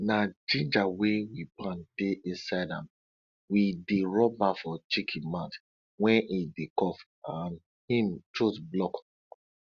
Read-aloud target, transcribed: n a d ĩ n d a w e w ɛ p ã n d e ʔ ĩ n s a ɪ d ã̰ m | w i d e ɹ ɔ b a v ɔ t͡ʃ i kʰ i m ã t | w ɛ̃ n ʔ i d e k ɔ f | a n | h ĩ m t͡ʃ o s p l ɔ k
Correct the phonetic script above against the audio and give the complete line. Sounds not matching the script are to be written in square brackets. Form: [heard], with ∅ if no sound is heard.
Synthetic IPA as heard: n a [d͡ʒ] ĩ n [d͡ʒ] a w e w [i] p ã n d e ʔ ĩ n s a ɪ d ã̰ m | w i d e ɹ ɔ b a [f] ɔ t͡ʃ i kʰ i m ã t | w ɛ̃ n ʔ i d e k ɔ f | a n | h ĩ m t͡ʃ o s [b] l ɔ k